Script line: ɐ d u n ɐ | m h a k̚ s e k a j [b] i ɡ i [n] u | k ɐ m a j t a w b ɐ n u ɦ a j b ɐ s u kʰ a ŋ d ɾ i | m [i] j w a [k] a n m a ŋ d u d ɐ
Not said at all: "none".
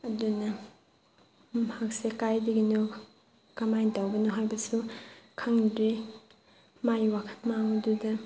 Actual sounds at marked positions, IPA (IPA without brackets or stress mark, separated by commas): d, n, a, kʰ